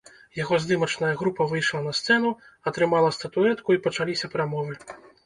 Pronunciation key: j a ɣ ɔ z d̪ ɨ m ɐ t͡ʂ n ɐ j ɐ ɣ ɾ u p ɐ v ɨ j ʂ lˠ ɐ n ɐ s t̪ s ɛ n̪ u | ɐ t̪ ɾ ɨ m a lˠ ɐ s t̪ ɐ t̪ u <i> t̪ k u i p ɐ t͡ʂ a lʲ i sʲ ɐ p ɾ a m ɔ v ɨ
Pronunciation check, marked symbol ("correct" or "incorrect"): incorrect